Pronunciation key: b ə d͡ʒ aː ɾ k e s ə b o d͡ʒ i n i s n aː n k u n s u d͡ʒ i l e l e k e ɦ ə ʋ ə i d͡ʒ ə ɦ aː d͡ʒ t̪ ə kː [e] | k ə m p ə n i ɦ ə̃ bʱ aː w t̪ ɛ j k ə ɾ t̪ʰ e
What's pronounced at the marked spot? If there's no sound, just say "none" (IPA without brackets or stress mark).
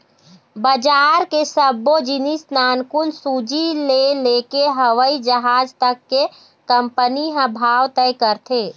e